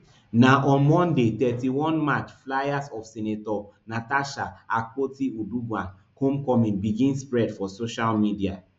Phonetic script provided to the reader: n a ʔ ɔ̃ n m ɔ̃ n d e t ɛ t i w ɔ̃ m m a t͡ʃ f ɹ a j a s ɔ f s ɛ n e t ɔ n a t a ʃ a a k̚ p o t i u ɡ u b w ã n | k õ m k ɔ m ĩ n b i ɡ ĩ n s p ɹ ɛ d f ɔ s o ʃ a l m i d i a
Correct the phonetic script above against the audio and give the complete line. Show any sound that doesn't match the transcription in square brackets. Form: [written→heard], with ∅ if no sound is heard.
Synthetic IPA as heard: n a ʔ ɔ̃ n m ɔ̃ n d e t ɛ t i w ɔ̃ [m→n] m a t͡ʃ f [ɹ→l] a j a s ɔ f s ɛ n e t ɔ n a t a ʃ a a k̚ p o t i u [ɡ→d] u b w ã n | k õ m k ɔ m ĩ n b i ɡ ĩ n s p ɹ ɛ d f ɔ s o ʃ a l m i d i a